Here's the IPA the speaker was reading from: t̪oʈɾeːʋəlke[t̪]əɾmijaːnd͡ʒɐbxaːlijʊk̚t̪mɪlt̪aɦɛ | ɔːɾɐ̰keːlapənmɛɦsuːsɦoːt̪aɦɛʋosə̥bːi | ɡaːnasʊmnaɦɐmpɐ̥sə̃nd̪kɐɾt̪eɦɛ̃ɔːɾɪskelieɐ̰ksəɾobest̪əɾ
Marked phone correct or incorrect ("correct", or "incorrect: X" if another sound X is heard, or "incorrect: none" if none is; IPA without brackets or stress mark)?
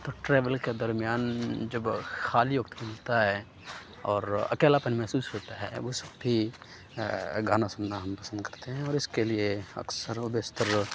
incorrect: d̪